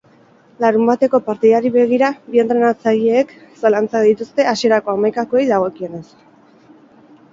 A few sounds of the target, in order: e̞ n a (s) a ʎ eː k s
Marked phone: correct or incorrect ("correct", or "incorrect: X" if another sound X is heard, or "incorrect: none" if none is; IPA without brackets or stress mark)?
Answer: incorrect: t͡s